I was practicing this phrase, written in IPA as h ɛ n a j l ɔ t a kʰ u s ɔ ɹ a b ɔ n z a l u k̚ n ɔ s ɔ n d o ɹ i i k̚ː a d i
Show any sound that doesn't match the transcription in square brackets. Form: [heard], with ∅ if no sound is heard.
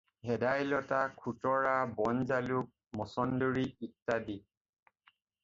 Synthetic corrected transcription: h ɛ [d] a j l ɔ t a kʰ u [t] ɔ ɹ a b ɔ n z a l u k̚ [m] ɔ s ɔ n d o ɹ i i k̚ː a d i